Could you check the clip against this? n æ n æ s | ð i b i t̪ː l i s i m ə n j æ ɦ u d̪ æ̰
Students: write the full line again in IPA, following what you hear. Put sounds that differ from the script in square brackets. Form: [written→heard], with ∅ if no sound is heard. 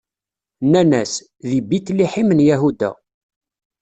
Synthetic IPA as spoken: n æ n æ s | ð i b i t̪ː l i [s→ħ] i m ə n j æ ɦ u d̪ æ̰